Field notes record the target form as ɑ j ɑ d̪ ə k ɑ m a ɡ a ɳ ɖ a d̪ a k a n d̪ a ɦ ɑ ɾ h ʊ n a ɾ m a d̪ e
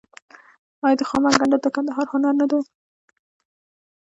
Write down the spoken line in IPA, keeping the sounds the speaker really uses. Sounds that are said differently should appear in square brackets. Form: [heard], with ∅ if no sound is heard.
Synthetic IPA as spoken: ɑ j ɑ d̪ ə [x] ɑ m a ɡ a ɳ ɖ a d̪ [ə] k a n d̪ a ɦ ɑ ɾ h ʊ n a ɾ [n] a d̪ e